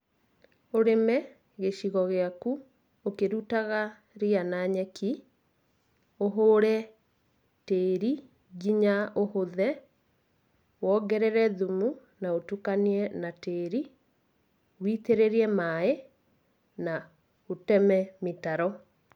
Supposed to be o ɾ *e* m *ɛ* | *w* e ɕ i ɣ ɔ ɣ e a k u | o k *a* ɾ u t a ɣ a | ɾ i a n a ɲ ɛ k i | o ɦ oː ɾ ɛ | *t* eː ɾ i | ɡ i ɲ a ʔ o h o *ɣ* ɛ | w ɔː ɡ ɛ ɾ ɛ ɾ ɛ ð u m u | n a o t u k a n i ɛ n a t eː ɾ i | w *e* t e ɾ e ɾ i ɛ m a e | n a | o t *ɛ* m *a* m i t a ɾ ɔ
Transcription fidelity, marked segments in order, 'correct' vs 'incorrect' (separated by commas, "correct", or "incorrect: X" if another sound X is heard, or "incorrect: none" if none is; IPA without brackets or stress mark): correct, correct, incorrect: ɣ, incorrect: e, correct, incorrect: ð, incorrect: i, correct, incorrect: ɛ